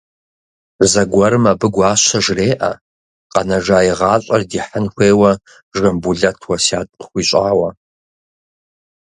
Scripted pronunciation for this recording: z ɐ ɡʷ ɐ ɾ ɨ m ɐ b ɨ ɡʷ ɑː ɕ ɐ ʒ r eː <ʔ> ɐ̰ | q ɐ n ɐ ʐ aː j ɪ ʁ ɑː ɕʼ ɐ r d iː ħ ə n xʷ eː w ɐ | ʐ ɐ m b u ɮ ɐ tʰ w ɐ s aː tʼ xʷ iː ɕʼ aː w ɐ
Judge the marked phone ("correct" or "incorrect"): correct